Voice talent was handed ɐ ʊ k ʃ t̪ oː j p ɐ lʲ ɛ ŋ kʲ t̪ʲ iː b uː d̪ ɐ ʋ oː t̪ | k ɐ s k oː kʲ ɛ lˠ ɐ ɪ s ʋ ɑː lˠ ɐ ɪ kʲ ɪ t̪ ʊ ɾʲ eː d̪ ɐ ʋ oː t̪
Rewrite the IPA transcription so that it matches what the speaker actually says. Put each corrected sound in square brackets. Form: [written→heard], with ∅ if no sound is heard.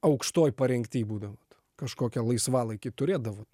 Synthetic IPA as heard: ɐ ʊ k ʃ t̪ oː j p ɐ [lʲ→ɾʲ] ɛ ŋ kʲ t̪ʲ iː b uː d̪ ɐ ʋ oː t̪ | k ɐ [s→ʃ] k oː kʲ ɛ lˠ ɐ ɪ s ʋ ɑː lˠ ɐ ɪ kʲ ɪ t̪ ʊ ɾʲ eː d̪ ɐ ʋ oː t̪